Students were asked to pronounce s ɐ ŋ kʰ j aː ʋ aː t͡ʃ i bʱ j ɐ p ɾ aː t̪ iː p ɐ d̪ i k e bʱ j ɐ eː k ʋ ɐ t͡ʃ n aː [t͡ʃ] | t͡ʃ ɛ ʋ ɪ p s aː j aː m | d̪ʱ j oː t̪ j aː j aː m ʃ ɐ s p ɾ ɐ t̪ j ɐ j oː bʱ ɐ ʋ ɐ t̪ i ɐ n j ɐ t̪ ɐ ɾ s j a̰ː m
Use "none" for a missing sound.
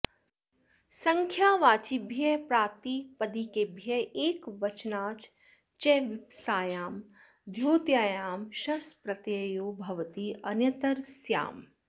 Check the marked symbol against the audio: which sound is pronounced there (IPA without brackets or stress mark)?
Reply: t͡ʃ